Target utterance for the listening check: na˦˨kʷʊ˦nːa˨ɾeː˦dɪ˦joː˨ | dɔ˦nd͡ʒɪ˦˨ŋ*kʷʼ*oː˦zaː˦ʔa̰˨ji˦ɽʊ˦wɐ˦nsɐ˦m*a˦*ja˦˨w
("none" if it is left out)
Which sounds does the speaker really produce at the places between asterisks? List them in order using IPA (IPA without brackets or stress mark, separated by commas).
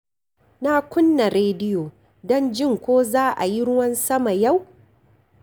kʷ, a˨